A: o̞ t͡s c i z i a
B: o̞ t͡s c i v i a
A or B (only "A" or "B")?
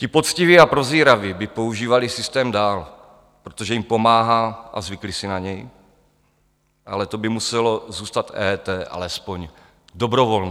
B